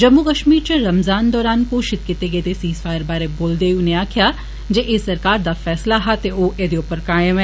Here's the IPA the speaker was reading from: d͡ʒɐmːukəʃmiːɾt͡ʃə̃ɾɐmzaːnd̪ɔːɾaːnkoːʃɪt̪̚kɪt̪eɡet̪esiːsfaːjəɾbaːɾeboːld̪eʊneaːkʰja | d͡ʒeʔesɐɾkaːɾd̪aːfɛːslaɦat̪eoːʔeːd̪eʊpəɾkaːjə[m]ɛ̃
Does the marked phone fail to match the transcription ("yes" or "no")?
no